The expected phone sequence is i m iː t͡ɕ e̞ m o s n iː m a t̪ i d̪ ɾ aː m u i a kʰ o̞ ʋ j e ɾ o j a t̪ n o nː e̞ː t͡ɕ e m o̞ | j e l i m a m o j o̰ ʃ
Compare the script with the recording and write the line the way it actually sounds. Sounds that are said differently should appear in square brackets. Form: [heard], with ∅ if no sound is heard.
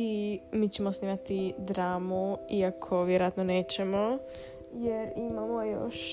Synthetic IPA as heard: i m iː t͡ɕ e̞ m o s n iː m a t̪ i d̪ ɾ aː m u i a kʰ o̞ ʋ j e ɾ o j a t̪ n o [n] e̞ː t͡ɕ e m o̞ | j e [ɾ] i m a m o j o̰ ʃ